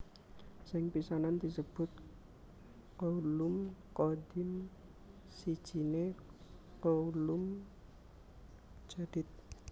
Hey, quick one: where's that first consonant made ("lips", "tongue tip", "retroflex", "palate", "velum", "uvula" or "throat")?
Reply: tongue tip